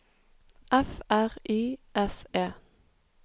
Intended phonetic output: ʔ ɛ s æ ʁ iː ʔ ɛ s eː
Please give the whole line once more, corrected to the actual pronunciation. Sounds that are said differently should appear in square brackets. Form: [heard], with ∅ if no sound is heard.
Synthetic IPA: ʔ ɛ [f] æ ʁ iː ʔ ɛ s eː